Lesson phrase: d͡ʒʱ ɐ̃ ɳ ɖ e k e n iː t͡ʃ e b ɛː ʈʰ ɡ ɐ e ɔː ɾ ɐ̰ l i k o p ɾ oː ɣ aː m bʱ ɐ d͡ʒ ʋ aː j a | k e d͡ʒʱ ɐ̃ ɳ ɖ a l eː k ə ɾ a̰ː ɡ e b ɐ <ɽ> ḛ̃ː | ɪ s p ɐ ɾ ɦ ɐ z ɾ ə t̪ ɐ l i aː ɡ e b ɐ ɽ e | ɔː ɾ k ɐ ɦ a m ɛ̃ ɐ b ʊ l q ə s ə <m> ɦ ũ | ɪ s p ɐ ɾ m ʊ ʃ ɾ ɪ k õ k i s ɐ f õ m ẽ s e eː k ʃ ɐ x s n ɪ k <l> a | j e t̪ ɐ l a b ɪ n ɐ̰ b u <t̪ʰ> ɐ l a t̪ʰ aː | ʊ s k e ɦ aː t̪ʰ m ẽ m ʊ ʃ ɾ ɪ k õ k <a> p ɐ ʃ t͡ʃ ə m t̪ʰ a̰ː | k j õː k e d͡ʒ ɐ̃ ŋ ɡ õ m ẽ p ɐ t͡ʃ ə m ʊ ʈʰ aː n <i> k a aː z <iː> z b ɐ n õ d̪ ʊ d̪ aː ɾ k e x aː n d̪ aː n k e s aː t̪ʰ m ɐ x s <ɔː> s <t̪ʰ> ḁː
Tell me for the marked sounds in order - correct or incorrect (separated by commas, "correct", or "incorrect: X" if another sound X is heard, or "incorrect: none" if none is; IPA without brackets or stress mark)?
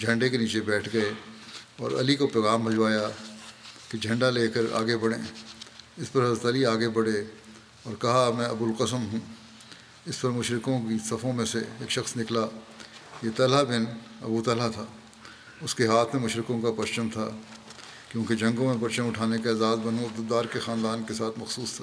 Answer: correct, correct, correct, incorrect: t̪, correct, incorrect: e, incorrect: aː, incorrect: uː, correct